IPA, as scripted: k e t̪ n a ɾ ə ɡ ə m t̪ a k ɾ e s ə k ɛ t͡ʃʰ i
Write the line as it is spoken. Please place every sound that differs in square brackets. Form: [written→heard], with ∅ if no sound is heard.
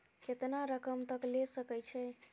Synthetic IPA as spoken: k e t̪ n a ɾ ə [ɡ→k] ə m t̪ [a→ə] k [ɾ→l] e s ə k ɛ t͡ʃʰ [i→ɛ]